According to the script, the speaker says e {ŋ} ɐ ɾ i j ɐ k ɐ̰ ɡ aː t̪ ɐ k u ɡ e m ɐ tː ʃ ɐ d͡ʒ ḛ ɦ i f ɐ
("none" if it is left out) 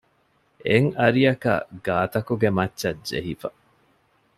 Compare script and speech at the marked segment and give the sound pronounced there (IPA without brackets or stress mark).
ŋ